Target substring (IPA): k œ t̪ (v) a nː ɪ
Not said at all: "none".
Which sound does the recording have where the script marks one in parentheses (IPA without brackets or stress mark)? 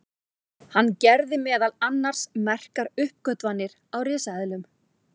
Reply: v